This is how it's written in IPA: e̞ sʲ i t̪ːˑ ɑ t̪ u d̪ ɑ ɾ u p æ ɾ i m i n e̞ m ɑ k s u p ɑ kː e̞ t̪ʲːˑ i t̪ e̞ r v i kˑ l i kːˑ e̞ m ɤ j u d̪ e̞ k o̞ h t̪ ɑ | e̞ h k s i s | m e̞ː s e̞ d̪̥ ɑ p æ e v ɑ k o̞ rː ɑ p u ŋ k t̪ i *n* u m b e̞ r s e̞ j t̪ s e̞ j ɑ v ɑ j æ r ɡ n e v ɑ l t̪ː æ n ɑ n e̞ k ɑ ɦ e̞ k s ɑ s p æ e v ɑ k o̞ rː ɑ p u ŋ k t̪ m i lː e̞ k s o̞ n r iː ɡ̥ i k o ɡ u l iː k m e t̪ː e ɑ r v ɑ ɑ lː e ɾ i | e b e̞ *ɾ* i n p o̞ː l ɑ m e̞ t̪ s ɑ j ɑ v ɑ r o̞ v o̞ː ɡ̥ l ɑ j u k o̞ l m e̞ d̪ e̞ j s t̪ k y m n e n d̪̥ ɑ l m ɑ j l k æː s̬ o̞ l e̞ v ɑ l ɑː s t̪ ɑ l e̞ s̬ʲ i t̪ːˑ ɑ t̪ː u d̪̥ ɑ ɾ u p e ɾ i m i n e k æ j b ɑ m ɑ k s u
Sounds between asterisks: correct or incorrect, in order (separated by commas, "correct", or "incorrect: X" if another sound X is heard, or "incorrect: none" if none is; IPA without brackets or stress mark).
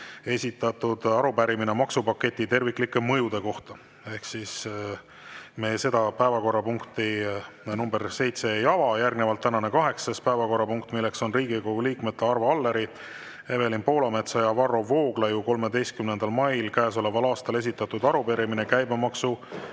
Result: correct, incorrect: l